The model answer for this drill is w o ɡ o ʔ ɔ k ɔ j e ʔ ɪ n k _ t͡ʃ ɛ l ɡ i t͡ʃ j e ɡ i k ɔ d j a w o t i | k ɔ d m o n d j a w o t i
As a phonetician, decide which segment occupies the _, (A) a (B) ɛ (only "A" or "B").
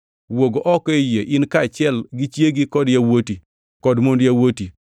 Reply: A